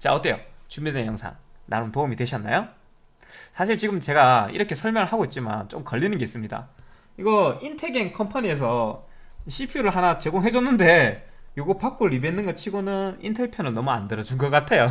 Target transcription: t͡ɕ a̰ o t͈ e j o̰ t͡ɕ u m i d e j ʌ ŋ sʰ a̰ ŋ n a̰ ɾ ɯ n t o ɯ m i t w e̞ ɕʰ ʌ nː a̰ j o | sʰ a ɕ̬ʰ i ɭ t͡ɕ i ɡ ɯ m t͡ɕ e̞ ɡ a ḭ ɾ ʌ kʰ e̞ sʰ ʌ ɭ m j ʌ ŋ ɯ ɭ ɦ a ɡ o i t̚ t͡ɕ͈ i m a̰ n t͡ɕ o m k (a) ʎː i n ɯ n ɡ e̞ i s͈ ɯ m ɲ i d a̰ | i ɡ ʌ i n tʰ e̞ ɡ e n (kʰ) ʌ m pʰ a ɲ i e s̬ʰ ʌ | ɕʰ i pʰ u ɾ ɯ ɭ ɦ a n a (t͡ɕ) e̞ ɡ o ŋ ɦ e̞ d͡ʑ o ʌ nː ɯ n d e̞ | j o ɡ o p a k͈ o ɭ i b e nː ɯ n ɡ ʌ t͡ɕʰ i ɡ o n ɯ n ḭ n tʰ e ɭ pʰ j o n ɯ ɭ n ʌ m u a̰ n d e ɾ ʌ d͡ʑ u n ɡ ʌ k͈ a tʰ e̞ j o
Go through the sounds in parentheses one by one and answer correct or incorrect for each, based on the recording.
incorrect, correct, correct

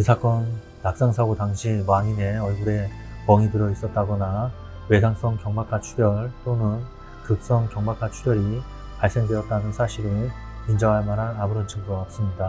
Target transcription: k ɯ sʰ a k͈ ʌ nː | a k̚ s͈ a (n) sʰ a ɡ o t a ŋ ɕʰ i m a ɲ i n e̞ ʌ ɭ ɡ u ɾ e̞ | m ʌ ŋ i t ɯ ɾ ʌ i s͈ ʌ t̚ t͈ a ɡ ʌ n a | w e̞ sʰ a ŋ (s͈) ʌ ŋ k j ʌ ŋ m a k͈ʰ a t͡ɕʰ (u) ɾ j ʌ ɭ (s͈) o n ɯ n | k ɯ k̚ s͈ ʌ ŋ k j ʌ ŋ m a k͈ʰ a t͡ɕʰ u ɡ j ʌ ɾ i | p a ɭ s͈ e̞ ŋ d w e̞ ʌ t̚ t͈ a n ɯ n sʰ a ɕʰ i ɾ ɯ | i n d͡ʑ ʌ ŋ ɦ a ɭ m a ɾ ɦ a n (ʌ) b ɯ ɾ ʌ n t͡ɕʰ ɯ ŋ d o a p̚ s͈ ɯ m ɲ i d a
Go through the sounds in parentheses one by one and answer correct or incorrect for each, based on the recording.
incorrect, correct, correct, incorrect, incorrect

